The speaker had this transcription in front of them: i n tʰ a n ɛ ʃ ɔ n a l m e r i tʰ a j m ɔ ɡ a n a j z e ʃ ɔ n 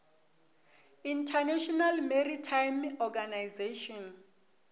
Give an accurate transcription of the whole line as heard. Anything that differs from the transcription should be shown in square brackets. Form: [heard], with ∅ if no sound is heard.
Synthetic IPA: i n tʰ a n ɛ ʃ ɔ n a l m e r i tʰ a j m ɔ ɡ a n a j z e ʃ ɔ n